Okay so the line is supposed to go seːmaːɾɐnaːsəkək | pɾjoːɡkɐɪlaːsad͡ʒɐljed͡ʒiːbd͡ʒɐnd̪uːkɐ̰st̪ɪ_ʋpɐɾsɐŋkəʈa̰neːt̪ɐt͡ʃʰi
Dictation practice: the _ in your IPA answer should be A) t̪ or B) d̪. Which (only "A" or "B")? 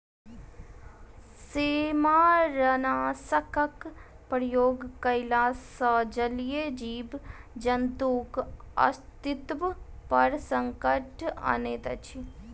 A